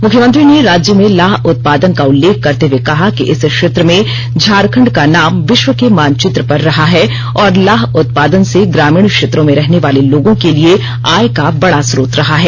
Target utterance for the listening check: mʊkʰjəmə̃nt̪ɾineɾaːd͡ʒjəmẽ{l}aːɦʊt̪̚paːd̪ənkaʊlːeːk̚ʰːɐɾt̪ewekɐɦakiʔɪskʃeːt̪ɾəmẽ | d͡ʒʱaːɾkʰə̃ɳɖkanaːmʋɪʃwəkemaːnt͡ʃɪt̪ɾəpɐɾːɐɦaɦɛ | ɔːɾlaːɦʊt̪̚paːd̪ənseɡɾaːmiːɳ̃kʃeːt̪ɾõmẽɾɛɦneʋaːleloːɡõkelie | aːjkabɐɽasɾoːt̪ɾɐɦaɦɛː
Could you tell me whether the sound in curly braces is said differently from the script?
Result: no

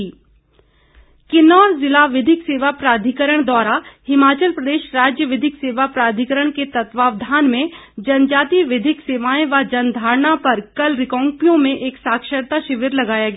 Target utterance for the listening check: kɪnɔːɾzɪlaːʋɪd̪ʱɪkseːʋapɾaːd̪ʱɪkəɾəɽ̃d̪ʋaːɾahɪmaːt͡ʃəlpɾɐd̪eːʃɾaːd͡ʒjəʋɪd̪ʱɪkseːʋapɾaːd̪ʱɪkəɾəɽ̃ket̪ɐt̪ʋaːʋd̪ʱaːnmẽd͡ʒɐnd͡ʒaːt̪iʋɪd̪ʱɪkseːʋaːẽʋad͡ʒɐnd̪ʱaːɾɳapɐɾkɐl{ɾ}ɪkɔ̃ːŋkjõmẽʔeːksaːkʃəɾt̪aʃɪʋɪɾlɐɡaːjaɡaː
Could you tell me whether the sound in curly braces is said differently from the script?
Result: no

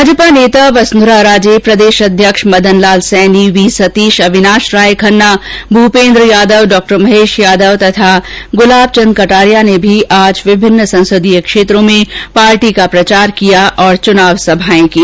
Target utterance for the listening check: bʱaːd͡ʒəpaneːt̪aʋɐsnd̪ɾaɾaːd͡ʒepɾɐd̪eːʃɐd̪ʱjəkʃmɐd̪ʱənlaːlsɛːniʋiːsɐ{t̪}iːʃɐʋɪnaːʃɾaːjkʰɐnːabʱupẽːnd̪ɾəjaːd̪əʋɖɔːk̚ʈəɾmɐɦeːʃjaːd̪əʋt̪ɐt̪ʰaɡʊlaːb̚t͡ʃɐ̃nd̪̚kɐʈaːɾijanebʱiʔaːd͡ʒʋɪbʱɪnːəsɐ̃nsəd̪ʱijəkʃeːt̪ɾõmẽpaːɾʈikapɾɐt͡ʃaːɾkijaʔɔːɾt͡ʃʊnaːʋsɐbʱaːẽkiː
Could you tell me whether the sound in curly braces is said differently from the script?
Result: no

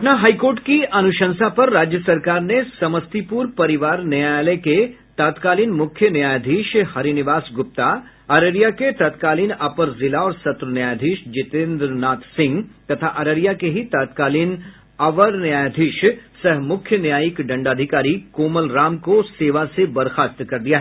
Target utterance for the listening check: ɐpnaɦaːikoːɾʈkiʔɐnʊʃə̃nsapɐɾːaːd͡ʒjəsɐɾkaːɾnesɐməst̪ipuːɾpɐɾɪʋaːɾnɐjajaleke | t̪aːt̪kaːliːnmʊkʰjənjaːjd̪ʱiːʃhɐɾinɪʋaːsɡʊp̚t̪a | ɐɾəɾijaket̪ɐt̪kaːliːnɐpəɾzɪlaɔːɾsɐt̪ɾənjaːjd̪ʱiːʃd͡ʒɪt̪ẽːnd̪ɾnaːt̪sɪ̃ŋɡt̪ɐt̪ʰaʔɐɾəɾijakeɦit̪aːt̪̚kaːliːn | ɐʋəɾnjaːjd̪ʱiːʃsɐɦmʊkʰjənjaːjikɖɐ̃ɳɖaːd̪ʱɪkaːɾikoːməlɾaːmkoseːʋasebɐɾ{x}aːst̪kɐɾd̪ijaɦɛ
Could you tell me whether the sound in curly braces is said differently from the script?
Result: no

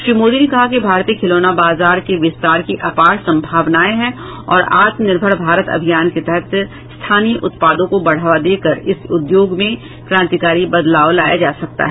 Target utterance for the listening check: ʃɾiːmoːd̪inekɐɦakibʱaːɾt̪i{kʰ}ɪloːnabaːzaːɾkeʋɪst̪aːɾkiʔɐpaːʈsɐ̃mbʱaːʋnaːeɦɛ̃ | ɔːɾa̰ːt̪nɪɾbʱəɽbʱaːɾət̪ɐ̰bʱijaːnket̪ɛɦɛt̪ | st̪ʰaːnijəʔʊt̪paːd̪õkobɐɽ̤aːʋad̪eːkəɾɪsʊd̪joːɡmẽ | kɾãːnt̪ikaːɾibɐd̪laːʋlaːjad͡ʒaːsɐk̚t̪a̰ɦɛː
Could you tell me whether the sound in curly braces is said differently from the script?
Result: no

